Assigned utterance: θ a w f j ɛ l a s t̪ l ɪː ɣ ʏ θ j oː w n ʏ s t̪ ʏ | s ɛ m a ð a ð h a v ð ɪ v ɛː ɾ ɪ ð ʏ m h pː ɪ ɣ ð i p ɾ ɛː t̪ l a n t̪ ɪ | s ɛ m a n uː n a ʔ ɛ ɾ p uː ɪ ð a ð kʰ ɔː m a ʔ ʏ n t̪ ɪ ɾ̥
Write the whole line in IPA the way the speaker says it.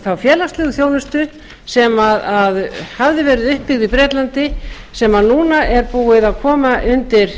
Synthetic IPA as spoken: θ a w f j ɛː l a s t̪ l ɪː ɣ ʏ θ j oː w n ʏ s t̪ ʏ | s ɛ m a ð a ð h a v ð ɪ v ɛː ɾ ɪ ð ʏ h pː ɪ ɣ ð i p ɾ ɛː t̪ l a n t̪ ɪ | s ɛ m a n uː n a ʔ ɛ ɾ p uː ɪ ð a ð kʰ ɔː m a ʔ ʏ n t̪ ɪ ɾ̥